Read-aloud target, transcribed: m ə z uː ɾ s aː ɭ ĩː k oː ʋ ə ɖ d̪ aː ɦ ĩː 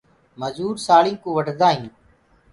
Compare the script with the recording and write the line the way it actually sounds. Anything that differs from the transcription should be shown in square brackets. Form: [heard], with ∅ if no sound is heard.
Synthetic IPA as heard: m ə z uː ɾ s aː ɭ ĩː k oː ʋ ə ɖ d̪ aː ɦ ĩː

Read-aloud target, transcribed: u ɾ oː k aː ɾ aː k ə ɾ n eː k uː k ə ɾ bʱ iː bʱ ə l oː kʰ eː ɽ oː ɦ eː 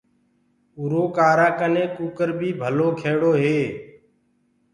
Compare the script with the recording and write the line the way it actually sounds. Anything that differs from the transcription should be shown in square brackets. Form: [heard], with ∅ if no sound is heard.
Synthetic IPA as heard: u ɾ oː k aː ɾ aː k ə [∅] n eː k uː k ə ɾ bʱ iː bʱ ə l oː kʰ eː ɽ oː ɦ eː

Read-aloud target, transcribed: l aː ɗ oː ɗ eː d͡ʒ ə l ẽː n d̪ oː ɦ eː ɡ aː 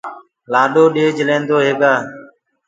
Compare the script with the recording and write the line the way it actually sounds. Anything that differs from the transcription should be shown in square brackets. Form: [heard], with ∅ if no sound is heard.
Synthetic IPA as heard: l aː ɗ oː ɗ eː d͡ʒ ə l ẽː n d̪ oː ɦ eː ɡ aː

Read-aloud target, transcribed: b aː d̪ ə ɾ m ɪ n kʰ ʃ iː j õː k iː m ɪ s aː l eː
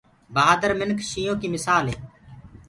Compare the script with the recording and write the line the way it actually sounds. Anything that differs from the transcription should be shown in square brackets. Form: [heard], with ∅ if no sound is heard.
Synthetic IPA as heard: b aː d̪ ə ɾ m ɪ n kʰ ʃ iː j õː k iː m ɪ s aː l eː

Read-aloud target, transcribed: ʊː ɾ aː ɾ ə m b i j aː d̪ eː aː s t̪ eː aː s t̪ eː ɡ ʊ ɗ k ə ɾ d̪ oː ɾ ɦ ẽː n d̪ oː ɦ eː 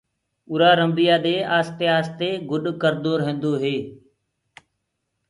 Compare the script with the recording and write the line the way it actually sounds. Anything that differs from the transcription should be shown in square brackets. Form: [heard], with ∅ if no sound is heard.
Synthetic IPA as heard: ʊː ɾ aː ɾ ə m b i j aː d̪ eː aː s t̪ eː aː s t̪ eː ɡ ʊ ɗ k ə ɾ d̪ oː ɾ ɦ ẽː n d̪ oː ɦ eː

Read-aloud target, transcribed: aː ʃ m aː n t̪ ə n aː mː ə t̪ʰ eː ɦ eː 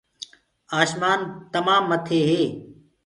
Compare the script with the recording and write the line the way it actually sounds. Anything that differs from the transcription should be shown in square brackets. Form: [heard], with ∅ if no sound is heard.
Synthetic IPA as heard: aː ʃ m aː n t̪ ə [m] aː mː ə t̪ʰ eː ɦ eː

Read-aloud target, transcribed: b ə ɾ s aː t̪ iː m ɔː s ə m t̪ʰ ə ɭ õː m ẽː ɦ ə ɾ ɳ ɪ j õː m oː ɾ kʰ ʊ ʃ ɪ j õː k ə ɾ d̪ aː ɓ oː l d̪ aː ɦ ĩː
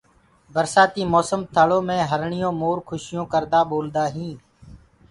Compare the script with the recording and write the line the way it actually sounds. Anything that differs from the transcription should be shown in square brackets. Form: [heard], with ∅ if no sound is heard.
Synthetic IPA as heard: b ə ɾ s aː t̪ iː m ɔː s ə m t̪ʰ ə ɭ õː m ẽː ɦ ə ɾ ɳ ɪ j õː m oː ɾ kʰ ʊ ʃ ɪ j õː k ə ɾ d̪ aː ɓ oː l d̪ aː ɦ ĩː

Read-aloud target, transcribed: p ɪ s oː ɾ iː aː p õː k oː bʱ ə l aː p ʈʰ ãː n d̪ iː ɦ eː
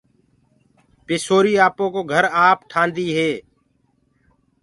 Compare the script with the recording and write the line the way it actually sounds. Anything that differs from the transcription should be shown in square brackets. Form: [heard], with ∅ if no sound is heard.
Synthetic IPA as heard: p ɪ s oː ɾ iː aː p õː k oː [ɡʱ] ə [ɾ] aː p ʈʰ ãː n d̪ iː ɦ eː

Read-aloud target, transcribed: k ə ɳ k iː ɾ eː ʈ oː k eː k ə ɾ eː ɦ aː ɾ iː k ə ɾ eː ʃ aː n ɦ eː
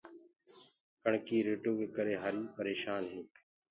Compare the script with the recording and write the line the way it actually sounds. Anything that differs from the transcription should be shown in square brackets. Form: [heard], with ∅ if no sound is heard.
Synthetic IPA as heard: k ə ɳ k iː ɾ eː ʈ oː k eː k ə ɾ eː ɦ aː ɾ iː [p] ə ɾ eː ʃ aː n ɦ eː

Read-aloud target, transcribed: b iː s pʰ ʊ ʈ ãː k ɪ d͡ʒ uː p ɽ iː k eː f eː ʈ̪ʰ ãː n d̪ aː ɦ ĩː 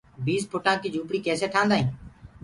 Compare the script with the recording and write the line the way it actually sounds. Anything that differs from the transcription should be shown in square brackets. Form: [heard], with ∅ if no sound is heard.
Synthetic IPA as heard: b iː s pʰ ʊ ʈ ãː k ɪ d͡ʒ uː p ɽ iː k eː [s] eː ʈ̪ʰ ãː n d̪ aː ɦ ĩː

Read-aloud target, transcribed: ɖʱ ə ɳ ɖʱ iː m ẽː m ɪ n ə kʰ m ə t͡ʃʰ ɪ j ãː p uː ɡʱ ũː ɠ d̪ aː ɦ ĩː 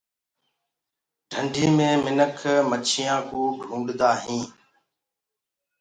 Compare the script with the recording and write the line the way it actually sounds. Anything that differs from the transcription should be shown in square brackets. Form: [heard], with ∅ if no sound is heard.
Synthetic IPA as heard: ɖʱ ə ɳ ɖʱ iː m ẽː m ɪ n ə kʰ m ə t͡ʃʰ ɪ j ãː [k] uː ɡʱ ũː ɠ d̪ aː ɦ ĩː

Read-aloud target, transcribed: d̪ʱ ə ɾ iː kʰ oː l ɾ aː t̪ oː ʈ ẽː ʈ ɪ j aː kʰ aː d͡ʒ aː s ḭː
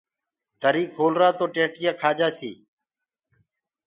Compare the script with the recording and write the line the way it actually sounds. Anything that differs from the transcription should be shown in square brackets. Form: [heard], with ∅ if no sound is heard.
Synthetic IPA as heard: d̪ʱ ə ɾ iː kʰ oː l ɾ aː t̪ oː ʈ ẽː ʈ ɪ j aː kʰ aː d͡ʒ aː s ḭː

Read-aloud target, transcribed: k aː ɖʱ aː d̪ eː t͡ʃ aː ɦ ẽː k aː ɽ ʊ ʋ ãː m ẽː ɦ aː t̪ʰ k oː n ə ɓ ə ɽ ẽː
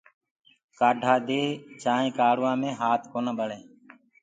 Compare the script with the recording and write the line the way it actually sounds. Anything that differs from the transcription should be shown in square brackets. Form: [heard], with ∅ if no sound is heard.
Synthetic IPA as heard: k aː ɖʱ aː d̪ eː t͡ʃ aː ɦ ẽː k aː ɽ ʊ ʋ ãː m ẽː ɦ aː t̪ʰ k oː n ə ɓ ə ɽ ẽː

